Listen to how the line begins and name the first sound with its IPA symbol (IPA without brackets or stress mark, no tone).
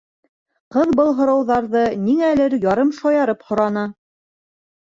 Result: q